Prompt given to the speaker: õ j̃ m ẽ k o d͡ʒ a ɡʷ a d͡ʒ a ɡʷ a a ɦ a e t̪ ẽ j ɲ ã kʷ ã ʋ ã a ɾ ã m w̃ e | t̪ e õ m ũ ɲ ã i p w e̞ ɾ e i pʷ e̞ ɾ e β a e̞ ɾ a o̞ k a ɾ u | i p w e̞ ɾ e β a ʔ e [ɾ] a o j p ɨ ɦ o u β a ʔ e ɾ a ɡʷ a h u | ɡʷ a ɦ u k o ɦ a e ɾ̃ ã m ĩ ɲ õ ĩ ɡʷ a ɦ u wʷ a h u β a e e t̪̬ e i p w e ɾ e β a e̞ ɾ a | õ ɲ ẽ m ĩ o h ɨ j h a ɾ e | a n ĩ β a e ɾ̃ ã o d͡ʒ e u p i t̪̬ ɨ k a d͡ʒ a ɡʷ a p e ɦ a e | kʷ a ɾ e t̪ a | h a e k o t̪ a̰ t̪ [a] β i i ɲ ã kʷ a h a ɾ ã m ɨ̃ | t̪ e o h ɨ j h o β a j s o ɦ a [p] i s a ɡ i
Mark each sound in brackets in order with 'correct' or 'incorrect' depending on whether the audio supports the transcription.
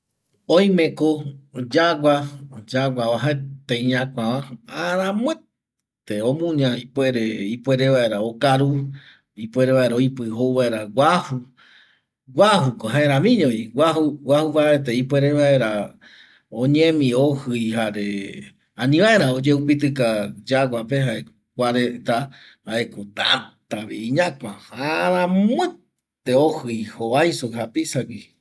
correct, correct, correct

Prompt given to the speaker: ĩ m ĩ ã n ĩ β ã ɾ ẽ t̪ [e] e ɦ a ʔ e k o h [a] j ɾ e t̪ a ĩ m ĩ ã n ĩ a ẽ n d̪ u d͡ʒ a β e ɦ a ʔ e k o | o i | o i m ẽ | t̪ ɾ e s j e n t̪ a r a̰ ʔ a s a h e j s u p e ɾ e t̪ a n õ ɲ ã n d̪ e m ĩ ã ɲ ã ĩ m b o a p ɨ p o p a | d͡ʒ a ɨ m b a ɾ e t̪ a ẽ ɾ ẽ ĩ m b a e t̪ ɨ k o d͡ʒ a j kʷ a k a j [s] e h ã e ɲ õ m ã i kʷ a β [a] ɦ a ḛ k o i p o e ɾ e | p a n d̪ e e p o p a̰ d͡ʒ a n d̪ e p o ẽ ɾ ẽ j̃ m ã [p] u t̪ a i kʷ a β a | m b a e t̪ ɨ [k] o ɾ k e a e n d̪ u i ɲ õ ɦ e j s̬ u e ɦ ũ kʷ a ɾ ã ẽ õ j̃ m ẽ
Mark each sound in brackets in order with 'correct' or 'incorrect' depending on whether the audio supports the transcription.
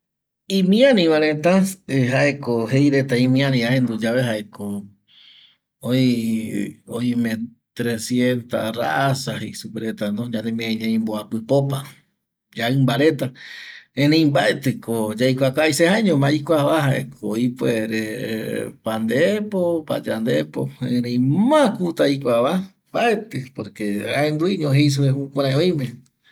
incorrect, incorrect, correct, correct, incorrect, incorrect

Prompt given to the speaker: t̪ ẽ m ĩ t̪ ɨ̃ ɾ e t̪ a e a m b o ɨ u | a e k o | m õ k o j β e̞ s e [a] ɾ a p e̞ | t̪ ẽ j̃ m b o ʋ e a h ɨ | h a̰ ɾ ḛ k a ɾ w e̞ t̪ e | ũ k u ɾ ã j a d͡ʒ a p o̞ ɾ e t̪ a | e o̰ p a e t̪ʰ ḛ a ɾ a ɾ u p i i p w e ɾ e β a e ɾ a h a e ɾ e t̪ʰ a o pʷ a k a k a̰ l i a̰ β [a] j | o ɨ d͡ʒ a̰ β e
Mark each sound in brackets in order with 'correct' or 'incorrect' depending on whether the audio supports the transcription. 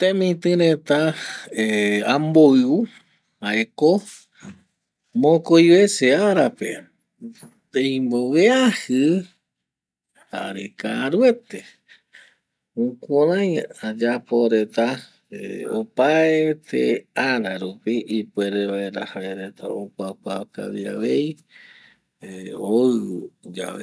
correct, incorrect

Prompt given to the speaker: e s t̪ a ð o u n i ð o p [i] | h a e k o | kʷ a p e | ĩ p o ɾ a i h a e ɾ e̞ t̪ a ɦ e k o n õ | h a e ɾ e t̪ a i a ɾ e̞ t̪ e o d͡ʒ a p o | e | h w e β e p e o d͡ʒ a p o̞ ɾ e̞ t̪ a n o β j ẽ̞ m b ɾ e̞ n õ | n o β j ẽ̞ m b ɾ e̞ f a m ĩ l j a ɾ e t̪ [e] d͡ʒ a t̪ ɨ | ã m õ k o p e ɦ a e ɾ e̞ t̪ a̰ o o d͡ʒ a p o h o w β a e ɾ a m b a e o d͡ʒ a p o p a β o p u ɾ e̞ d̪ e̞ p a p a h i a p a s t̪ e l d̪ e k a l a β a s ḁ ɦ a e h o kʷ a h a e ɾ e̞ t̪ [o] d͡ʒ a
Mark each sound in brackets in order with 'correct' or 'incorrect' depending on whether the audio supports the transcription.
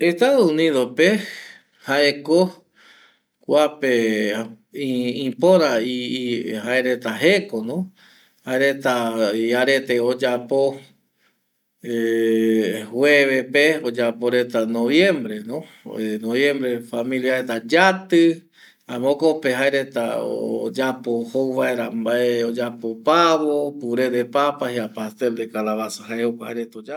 incorrect, incorrect, correct

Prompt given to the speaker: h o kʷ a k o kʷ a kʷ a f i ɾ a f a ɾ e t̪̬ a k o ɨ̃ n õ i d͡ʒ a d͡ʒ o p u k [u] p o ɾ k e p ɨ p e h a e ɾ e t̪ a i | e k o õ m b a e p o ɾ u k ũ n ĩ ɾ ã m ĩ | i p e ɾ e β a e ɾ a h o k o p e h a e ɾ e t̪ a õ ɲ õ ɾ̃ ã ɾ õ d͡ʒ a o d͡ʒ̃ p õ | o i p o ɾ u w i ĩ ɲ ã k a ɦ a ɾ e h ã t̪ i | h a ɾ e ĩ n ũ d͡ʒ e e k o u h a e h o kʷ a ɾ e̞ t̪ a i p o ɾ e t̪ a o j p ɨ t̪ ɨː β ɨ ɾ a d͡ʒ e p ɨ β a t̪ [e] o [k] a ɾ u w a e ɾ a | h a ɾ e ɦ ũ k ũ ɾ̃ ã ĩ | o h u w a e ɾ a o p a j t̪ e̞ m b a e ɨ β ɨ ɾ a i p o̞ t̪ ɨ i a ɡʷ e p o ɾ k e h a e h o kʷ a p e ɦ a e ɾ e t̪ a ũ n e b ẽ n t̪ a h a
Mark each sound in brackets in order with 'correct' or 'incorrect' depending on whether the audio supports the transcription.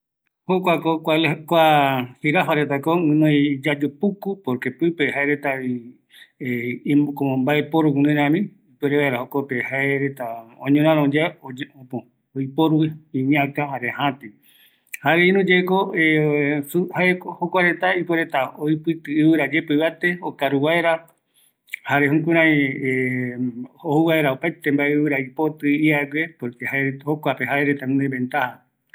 correct, correct, correct

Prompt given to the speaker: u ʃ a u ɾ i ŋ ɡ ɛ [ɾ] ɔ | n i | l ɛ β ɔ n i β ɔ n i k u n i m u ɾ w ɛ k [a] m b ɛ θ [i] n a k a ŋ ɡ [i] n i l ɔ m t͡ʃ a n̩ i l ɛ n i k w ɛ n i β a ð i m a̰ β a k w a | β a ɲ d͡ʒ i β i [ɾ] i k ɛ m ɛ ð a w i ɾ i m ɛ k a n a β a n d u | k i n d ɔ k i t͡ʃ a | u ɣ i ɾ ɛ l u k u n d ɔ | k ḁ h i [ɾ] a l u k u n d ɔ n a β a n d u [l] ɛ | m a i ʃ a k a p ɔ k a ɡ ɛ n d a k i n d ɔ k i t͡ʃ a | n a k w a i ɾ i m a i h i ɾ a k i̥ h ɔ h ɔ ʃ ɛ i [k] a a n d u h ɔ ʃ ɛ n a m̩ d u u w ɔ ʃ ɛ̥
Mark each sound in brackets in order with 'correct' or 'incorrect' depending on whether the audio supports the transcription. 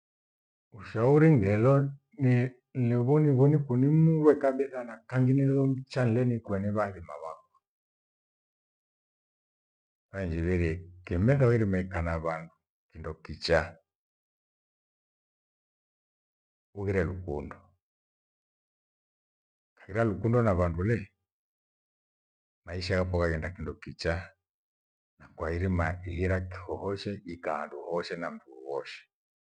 incorrect, correct, incorrect, correct, correct, correct, correct, correct

